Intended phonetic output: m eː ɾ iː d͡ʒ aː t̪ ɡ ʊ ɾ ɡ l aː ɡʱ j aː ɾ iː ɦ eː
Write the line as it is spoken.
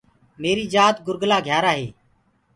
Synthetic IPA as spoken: m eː ɾ iː d͡ʒ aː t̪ ɡ ʊ ɾ ɡ l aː ɡʱ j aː ɾ aː ɦ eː